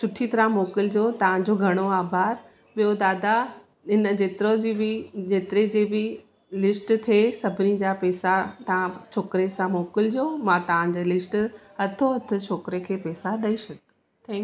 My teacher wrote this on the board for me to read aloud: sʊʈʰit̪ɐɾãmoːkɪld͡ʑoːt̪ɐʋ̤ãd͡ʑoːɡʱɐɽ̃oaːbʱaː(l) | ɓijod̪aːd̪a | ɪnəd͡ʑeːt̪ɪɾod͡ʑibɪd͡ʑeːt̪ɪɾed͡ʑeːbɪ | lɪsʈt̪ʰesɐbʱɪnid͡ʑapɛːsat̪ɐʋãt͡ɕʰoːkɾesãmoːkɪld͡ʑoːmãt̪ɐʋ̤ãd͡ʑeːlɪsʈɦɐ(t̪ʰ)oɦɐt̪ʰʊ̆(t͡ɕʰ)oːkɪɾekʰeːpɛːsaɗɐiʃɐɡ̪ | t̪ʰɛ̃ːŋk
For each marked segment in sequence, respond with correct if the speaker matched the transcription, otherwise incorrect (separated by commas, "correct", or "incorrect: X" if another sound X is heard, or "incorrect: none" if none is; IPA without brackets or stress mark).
incorrect: ɾ, correct, correct